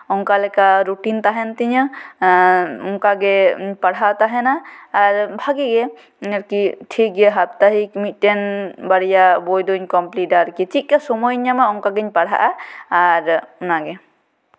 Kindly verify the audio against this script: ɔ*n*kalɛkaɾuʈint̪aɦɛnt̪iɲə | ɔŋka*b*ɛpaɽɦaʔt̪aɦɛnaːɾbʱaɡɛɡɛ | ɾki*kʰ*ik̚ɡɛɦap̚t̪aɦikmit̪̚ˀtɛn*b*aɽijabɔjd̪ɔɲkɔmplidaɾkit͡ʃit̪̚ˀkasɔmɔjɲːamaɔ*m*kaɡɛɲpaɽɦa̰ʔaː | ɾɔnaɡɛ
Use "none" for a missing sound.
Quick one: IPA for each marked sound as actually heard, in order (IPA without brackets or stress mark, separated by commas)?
ŋ, ɡ, ʈʰ, b, ŋ